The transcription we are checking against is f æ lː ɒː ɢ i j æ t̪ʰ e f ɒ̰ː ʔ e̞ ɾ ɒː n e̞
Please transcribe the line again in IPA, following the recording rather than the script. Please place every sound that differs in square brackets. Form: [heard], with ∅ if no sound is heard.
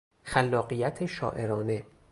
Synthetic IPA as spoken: [x] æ lː ɒː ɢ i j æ t̪ʰ e [ʃ] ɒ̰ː ʔ e̞ ɾ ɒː n e̞